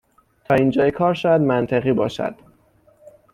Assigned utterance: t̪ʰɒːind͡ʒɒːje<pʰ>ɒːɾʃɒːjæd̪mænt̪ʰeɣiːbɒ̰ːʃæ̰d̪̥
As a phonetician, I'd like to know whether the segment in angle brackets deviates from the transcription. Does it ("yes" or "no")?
yes